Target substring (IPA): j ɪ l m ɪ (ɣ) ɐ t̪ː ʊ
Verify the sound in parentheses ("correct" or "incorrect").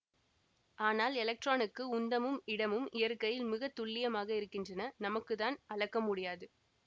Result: correct